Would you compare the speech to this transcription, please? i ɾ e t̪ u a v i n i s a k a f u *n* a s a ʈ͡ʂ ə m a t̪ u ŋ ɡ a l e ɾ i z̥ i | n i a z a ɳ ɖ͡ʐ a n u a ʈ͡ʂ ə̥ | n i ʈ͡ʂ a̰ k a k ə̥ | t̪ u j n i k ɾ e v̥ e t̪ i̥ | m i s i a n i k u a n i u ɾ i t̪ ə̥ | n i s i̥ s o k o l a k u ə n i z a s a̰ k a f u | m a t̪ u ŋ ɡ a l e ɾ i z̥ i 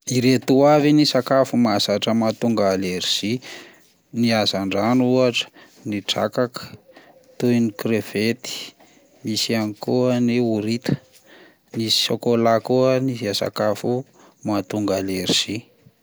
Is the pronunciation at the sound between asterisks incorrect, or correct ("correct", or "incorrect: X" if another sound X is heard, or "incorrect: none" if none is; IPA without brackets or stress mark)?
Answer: incorrect: m